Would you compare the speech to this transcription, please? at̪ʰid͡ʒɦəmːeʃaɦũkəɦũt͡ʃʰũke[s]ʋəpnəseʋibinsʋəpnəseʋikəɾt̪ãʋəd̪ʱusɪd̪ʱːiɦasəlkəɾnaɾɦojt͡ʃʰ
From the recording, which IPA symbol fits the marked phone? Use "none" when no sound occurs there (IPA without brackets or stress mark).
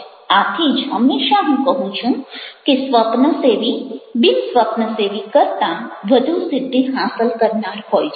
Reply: s